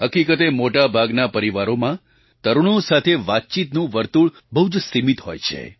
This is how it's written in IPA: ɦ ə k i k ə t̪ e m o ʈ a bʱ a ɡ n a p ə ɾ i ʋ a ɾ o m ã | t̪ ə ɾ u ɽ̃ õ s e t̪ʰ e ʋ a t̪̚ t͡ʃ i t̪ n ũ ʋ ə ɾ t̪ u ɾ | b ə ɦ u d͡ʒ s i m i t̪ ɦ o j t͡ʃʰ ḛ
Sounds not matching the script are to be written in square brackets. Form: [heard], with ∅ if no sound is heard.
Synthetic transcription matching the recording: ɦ ə k i k ə t̪ e m o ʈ a bʱ a ɡ n a p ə ɾ i ʋ a ɾ o m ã | t̪ ə ɾ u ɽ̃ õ s [a] t̪ʰ e ʋ a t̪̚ t͡ʃ i t̪ n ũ ʋ ə ɾ t̪ u [ɭ] | b ə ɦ u d͡ʒ s i m i t̪ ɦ o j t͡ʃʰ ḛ